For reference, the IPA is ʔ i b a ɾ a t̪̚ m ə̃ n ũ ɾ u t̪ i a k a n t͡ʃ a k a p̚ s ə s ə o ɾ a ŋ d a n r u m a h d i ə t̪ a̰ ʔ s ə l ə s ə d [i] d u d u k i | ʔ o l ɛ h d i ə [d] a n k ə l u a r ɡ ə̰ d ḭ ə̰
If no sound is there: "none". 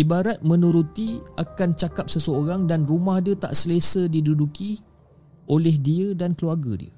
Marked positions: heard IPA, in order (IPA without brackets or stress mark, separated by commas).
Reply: i, d